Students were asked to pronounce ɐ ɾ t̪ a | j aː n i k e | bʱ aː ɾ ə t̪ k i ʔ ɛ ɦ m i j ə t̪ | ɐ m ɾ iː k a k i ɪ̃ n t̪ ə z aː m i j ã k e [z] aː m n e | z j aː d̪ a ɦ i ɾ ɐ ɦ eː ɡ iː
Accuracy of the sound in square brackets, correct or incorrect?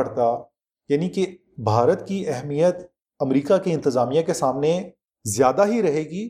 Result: incorrect